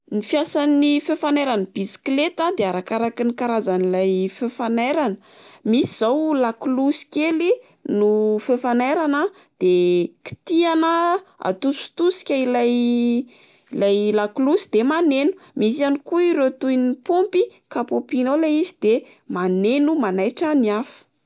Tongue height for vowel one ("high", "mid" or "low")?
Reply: high